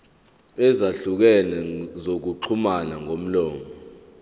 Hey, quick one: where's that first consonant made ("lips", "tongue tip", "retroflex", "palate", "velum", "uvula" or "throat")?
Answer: tongue tip